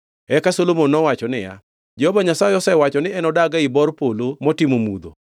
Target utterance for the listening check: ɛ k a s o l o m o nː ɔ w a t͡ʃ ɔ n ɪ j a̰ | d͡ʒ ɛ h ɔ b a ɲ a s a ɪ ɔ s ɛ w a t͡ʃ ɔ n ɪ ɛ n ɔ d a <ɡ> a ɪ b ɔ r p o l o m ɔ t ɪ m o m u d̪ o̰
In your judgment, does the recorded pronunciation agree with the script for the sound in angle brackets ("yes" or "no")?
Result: yes